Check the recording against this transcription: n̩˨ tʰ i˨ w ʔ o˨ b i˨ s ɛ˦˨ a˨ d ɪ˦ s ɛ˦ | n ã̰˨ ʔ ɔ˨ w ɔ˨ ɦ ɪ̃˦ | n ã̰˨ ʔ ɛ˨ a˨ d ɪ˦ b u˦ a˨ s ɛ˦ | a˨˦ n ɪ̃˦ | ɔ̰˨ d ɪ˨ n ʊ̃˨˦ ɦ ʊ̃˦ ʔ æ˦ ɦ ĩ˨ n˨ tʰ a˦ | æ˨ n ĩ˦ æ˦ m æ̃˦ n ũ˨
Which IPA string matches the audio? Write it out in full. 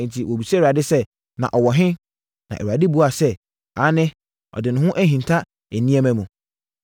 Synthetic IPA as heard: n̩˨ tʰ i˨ w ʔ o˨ b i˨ s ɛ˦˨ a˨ d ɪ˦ s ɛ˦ | n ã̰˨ ʔ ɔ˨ w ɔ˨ ɦ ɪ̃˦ | n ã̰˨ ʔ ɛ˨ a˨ d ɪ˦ b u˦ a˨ s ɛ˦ | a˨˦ n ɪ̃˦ | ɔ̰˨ d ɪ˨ n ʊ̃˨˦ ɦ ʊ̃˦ ʔ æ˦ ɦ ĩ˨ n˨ tʰ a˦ | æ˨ n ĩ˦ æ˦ m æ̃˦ m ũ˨